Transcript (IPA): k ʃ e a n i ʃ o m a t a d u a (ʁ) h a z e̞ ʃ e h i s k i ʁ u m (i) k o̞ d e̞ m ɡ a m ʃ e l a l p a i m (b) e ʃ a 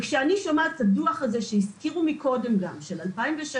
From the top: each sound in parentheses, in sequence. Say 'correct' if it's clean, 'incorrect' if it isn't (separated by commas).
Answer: incorrect, correct, incorrect